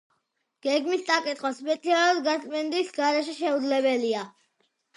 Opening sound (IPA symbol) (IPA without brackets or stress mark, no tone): ɡ̥